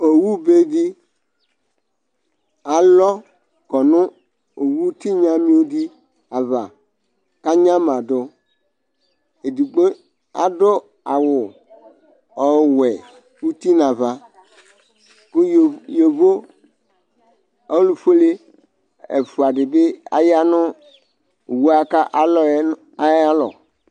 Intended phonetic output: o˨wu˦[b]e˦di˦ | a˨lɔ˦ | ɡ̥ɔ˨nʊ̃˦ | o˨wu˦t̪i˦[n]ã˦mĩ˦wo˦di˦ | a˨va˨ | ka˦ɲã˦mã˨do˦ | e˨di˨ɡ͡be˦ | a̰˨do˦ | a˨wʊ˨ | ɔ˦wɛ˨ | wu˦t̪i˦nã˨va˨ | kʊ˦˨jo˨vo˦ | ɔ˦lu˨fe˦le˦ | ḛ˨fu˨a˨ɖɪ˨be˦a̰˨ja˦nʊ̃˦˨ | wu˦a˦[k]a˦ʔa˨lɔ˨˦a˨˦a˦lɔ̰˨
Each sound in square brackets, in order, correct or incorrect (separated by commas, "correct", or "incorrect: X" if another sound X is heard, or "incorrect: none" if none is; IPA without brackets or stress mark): correct, incorrect: ɲ, correct